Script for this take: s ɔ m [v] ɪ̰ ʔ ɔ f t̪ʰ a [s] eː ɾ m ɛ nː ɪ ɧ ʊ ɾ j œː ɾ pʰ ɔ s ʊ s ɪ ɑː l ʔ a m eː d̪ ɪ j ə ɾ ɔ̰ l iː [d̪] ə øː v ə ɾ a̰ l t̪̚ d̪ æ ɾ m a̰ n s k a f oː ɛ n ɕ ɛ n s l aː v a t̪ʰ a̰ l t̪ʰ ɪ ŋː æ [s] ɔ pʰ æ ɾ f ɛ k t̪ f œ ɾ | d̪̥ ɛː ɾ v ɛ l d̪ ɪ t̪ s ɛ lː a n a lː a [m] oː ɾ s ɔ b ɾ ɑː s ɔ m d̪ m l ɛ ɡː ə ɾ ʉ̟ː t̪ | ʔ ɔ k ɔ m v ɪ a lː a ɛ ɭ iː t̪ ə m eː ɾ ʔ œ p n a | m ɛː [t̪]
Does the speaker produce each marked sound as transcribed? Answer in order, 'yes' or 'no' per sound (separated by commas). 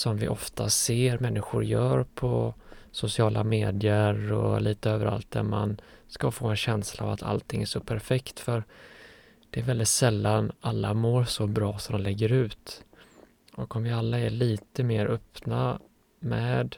yes, yes, no, no, yes, no